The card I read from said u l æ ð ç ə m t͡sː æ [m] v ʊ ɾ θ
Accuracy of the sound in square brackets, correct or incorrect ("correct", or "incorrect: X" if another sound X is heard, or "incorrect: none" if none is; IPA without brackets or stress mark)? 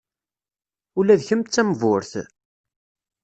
correct